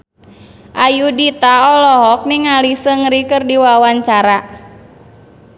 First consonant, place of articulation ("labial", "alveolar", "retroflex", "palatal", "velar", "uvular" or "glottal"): glottal